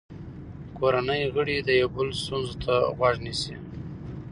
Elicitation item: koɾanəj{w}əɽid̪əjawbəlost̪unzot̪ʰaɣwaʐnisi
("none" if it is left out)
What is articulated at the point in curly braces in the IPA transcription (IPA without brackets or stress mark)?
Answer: ɣ